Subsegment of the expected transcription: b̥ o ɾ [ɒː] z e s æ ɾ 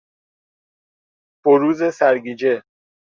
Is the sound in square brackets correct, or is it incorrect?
incorrect